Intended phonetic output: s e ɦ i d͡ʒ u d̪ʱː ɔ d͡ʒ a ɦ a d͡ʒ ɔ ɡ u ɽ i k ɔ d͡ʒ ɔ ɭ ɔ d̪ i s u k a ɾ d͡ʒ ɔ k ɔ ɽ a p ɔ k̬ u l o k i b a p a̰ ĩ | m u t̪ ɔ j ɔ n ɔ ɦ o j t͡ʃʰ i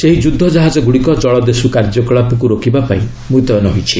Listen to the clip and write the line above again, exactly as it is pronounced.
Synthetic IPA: s e ɦ i d͡ʒ u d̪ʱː ɔ d͡ʒ a ɦ a d͡ʒ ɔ ɡ u ɽ i k ɔ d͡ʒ ɔ ɭ ɔ d̪ e s u k a ɾ d͡ʒ ɔ k ɔ ɭ a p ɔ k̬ u ɾ o k i b a p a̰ ĩ | m u t̪ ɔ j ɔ n ɔ ɦ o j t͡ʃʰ i